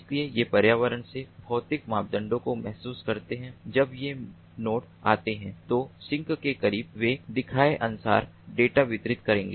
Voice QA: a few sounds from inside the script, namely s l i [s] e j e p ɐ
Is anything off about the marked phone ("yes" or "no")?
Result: yes